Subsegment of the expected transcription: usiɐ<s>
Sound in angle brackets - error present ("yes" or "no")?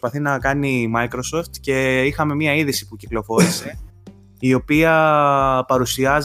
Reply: yes